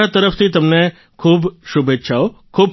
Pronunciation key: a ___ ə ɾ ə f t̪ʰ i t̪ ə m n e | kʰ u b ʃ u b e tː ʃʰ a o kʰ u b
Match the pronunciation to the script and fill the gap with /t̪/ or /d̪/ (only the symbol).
t̪